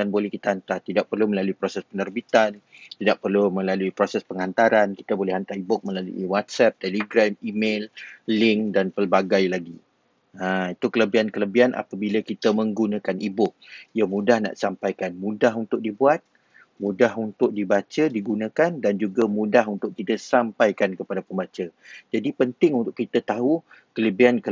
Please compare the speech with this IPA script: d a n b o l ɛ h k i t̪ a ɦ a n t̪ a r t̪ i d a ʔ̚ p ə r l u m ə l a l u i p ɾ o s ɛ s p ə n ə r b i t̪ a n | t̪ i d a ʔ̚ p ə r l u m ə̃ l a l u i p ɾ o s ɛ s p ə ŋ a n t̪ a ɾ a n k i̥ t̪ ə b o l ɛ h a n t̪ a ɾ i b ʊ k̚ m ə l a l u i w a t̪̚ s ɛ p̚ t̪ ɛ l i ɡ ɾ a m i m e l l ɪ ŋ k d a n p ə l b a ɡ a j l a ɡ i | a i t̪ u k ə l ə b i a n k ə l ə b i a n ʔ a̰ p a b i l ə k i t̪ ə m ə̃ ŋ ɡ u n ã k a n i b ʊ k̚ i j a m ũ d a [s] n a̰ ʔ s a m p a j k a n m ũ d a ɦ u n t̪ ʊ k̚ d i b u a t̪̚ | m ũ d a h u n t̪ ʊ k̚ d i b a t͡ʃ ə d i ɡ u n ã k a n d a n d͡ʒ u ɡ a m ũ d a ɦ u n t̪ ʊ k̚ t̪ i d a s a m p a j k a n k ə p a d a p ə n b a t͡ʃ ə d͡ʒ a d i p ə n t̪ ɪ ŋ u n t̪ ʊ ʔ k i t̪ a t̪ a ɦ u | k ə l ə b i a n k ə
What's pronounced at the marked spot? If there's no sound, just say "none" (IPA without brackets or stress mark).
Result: h